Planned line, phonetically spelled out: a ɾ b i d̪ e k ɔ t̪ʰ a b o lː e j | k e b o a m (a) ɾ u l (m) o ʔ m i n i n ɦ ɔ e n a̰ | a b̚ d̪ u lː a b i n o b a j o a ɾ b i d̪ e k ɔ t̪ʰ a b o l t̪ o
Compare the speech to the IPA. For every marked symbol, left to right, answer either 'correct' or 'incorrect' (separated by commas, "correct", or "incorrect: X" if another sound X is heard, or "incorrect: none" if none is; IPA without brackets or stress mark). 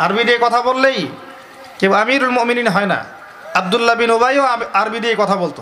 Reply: incorrect: i, correct